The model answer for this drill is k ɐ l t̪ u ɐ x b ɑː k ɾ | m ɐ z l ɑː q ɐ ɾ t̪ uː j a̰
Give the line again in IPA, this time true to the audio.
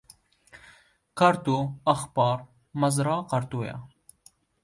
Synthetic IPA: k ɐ ɾ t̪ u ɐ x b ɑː ɾ | m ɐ z ɾ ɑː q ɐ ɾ t̪ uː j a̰